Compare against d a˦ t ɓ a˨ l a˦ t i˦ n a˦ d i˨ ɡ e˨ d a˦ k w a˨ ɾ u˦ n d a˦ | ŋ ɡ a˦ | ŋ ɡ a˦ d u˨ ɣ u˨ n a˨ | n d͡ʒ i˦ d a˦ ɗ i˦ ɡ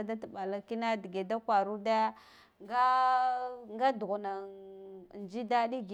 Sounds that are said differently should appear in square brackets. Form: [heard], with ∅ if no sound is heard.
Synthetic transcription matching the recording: d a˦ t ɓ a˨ l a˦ [k] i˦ n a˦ d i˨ ɡ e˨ d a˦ k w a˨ ɾ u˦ [∅] d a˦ | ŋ ɡ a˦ | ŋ ɡ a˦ d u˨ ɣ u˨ n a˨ | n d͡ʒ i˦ d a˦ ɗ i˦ ɡ

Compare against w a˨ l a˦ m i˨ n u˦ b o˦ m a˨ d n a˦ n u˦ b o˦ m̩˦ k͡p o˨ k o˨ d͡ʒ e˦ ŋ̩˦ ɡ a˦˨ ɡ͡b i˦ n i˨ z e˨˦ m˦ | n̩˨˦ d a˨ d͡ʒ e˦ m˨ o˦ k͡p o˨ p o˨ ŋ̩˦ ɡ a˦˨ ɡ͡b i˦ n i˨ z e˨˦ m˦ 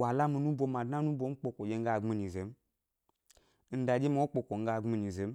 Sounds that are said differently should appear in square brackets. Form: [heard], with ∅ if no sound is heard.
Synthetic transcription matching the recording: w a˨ l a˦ m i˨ n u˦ b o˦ m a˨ d n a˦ n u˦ b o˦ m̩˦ k͡p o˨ k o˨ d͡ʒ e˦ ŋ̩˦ ɡ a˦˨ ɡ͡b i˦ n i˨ z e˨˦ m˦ | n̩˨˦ d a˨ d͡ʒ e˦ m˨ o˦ k͡p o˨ [k] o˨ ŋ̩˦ ɡ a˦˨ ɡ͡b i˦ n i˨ z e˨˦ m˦

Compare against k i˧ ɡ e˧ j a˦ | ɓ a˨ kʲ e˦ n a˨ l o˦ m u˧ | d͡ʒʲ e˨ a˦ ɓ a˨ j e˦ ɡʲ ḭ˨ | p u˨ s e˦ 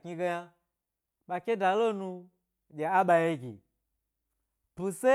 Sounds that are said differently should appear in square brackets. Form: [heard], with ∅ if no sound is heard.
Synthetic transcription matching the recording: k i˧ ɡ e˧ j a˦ | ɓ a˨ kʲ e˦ [d] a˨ l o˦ [n] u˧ | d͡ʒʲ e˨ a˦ ɓ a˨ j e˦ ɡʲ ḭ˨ | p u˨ s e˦

